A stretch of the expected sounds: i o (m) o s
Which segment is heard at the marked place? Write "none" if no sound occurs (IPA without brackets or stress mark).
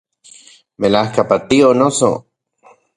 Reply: n